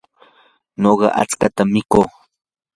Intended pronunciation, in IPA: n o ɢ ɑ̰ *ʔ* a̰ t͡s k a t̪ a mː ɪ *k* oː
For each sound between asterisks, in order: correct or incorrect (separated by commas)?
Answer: correct, correct